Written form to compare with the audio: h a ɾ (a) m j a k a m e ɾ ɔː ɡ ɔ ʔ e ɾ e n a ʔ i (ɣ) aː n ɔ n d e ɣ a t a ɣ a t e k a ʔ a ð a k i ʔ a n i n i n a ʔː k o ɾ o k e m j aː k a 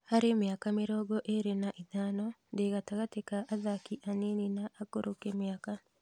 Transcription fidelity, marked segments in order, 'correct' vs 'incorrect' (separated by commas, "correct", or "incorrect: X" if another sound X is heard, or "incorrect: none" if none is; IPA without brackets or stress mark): incorrect: e, incorrect: ð